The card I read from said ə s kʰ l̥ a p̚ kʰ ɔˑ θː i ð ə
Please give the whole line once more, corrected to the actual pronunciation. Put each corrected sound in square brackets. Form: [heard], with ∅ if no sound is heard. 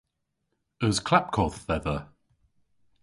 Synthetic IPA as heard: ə [z] kʰ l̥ a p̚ kʰ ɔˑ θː [ɛ] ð ə